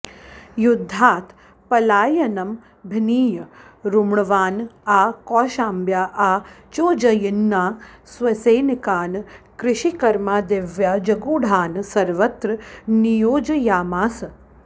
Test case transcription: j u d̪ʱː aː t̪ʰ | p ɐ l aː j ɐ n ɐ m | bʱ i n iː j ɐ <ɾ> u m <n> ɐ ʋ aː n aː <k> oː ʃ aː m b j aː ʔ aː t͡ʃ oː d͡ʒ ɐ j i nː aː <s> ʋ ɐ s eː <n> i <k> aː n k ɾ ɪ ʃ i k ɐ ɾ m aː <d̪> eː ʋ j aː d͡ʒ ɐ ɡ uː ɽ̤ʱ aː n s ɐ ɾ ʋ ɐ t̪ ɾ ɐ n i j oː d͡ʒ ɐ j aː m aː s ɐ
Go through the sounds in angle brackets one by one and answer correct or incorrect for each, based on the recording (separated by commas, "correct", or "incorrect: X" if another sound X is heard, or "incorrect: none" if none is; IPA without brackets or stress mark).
correct, incorrect: ɳ, correct, correct, correct, correct, correct